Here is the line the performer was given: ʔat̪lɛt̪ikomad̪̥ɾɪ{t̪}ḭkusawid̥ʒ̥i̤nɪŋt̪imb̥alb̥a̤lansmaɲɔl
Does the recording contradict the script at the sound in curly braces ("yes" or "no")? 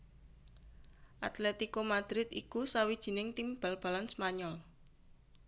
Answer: no